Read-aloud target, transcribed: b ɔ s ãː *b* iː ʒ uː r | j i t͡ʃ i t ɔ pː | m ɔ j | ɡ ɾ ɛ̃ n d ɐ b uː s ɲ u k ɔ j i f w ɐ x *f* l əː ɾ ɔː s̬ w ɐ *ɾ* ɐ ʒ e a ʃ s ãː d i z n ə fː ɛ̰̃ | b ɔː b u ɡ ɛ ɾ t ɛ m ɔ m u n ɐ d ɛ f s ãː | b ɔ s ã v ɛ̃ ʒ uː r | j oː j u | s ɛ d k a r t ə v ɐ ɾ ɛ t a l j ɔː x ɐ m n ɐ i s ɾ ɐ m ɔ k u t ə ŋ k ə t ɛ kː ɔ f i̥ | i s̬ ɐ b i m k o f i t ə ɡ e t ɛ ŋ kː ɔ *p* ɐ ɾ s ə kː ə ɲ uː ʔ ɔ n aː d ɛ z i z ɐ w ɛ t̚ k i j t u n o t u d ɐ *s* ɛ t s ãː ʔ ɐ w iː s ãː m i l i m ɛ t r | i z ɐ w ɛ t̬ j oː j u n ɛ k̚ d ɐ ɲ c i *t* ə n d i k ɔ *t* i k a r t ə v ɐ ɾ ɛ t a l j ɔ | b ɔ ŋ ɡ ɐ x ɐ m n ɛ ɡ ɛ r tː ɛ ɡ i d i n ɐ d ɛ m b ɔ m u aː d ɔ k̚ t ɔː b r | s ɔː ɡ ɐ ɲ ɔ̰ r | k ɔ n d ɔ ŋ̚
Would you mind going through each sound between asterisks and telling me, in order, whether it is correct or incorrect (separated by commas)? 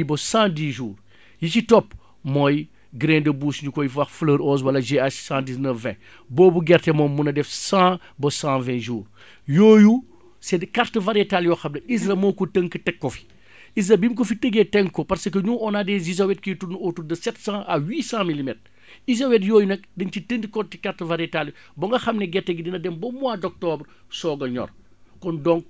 incorrect, correct, incorrect, correct, correct, correct, correct